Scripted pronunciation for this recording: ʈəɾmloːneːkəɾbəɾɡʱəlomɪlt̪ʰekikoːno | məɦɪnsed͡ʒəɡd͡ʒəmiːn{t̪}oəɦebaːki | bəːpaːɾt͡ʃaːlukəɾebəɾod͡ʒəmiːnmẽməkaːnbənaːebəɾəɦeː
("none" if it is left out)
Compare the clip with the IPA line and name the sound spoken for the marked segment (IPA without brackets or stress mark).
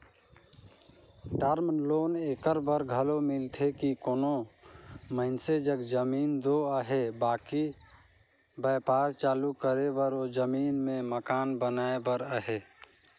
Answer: d̪